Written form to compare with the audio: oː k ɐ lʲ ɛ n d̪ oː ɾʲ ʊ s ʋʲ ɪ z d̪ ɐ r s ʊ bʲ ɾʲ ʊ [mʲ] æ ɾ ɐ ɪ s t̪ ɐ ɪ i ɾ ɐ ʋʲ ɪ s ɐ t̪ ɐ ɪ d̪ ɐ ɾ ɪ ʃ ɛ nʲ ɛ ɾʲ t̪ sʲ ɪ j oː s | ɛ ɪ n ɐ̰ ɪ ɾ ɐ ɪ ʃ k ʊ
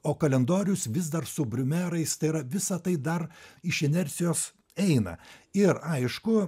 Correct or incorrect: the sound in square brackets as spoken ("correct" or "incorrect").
correct